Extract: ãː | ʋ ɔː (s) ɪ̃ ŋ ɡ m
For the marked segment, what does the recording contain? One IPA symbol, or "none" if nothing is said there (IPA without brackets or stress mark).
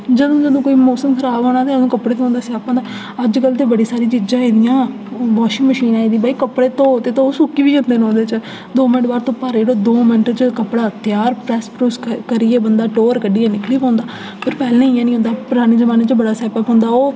ʃ